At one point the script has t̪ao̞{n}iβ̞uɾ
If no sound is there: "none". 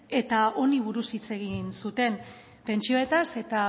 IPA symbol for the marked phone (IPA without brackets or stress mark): n